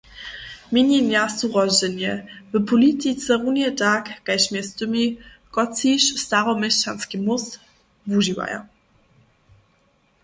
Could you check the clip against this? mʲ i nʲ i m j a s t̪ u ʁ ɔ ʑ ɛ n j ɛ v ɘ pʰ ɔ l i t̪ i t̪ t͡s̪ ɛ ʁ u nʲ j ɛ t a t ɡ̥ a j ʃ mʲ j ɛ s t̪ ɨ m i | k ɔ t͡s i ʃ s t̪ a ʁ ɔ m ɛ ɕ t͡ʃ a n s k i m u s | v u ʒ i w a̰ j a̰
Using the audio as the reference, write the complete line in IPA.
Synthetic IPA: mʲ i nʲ i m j a s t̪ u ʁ ɔ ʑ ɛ n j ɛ v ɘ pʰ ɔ l i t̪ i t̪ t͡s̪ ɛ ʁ u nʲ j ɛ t a k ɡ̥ a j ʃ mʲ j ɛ s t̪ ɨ m i | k ɔ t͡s i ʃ s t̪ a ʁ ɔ m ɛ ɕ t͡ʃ a n s k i m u s | v u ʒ i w a̰ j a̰